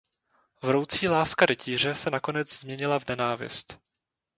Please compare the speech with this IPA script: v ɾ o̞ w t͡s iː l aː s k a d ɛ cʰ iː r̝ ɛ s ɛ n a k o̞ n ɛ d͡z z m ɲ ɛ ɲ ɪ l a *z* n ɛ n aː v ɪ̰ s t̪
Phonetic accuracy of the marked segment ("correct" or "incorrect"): incorrect